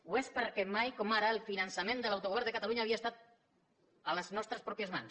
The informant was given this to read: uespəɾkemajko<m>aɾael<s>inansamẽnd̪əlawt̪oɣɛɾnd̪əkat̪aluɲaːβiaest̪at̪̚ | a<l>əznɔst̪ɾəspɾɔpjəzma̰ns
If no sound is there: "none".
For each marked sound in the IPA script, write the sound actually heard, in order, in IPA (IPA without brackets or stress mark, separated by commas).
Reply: m, f, l